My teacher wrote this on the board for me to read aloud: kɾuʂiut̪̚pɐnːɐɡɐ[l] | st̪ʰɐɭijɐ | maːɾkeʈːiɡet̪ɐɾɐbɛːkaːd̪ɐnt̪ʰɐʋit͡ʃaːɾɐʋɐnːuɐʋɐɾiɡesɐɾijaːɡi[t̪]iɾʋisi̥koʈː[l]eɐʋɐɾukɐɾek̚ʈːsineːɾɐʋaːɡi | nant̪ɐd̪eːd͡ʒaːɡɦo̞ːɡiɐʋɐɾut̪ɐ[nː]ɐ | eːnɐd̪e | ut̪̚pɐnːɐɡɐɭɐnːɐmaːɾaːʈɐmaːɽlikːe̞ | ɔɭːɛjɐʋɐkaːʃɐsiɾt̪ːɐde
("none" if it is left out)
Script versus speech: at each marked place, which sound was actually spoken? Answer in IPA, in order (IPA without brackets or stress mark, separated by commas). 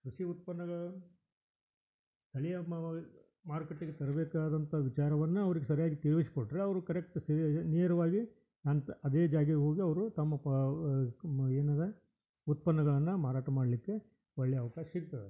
ɭ, t̪, ɾ, mː